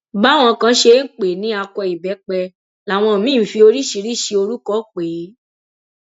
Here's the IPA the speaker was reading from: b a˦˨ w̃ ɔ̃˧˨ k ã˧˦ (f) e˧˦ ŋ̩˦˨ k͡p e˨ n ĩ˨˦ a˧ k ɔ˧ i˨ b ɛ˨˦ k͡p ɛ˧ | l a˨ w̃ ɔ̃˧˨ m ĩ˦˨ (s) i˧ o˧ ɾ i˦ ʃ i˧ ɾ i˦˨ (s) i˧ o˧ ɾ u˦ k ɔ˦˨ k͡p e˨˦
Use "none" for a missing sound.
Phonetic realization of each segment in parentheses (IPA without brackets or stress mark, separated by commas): ʃ, f, ʃ